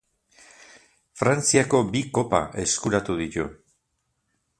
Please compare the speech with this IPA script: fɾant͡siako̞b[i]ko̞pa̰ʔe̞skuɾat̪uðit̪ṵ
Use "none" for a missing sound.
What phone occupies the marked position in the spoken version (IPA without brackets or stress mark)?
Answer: i